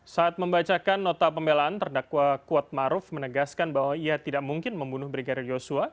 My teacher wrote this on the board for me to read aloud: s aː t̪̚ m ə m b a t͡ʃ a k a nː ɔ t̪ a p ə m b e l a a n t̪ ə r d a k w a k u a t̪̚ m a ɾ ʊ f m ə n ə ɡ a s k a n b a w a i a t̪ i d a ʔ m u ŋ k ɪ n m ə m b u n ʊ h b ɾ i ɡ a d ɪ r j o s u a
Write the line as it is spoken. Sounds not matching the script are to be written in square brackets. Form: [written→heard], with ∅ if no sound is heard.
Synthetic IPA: s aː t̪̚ m ə m b a t͡ʃ a k a nː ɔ t̪ a p ə m b e l a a n t̪ ə r d a k w a k u a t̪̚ m a ɾ ʊ f m ə n ə ɡ a s k a n b a w a i a t̪ i d a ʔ m u ŋ k ɪ n m ə m b u n ʊ h b ɾ i ɡ a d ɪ r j o s u a